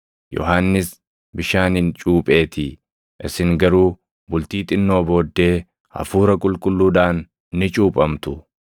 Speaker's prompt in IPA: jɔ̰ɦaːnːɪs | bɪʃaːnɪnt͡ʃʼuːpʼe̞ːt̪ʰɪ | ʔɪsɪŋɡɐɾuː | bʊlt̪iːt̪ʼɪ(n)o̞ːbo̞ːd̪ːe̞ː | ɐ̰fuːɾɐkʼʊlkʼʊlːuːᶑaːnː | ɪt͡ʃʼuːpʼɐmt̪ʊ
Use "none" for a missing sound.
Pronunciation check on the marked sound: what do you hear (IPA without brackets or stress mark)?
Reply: nː